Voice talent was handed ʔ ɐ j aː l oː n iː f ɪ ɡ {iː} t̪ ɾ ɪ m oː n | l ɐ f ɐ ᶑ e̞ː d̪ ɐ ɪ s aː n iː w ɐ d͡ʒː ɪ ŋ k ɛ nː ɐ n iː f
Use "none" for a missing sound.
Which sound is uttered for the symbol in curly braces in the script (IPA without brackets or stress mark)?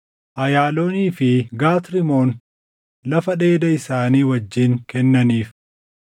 aː